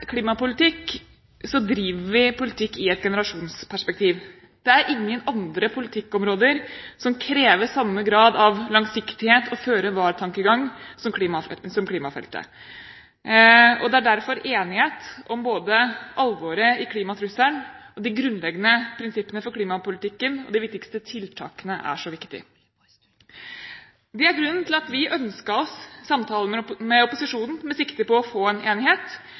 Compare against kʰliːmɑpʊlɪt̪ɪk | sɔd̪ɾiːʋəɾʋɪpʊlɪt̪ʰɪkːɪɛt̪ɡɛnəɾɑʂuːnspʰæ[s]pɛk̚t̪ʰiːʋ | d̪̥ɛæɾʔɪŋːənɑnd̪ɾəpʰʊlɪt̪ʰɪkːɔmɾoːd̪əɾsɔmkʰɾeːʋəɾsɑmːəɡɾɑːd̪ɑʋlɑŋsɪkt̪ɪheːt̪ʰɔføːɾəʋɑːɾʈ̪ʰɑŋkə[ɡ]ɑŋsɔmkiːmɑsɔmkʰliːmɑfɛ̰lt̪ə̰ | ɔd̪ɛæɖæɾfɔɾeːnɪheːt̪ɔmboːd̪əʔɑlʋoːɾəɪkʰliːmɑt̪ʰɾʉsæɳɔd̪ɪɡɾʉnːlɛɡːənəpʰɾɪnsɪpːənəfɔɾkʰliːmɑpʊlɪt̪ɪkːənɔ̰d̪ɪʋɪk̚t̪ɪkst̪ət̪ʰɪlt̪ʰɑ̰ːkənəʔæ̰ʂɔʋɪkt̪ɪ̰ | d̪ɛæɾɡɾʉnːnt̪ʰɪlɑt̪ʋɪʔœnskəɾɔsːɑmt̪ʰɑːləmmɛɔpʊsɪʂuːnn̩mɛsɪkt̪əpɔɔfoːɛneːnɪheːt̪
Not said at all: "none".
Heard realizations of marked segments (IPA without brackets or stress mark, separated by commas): ʂ, ɡ